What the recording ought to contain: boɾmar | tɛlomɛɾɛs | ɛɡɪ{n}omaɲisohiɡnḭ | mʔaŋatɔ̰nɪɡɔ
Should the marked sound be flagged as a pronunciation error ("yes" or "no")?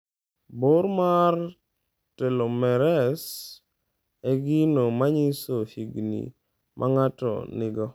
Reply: no